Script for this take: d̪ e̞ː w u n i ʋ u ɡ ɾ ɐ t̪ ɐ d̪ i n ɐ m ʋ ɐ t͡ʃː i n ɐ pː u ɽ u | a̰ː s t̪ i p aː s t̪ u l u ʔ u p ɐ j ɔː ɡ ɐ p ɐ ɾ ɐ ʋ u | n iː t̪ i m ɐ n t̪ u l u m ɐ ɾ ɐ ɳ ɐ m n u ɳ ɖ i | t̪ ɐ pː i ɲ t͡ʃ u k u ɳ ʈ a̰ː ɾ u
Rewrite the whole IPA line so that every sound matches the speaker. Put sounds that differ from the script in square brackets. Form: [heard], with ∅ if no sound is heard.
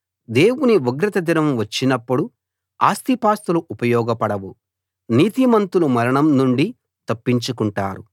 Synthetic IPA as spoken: d̪ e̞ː w u n i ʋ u ɡ ɾ ɐ t̪ ɐ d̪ i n ɐ m ʋ ɐ t͡ʃː i n ɐ pː u ɽ u | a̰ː s t̪ i p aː s t̪ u l u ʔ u p ɐ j ɔː ɡ ɐ p ɐ [ɽ] ɐ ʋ u | n iː t̪ i m ɐ n t̪ u l u m ɐ ɾ ɐ ɳ ɐ m n u ɳ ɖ i | t̪ ɐ pː i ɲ t͡ʃ u k u ɳ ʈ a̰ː ɾ u

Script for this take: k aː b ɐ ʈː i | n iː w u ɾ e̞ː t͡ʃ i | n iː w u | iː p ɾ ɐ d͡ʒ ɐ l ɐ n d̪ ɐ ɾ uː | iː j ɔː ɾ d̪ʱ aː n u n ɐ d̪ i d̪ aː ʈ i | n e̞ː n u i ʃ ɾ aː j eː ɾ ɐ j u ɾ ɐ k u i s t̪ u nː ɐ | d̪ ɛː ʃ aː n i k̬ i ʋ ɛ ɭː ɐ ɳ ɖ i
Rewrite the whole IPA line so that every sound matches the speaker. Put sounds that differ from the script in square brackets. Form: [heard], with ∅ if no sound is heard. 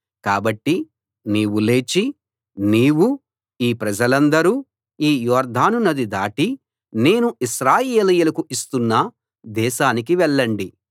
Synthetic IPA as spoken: k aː b ɐ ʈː i | n iː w u [l] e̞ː t͡ʃ i | n iː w u | iː p ɾ ɐ d͡ʒ ɐ l ɐ n d̪ ɐ ɾ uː | iː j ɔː ɾ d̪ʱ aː n u n ɐ d̪ i d̪ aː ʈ i | n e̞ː n u i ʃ ɾ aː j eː [l] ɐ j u [l] ɐ k u i s t̪ u nː ɐ | d̪ ɛː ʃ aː n i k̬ i ʋ ɛ ɭː ɐ ɳ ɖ i

